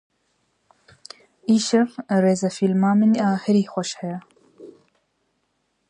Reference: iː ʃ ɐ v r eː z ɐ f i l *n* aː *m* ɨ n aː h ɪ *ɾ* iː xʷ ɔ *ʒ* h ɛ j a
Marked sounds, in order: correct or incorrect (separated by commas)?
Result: incorrect, correct, correct, incorrect